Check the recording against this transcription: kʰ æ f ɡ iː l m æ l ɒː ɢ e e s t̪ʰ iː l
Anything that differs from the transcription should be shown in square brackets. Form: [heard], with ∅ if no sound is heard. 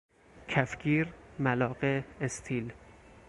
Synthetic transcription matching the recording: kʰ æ f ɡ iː [ɾ] m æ l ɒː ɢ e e s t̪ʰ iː l